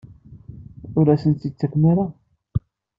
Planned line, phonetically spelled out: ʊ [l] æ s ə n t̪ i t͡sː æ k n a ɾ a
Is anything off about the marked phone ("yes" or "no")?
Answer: yes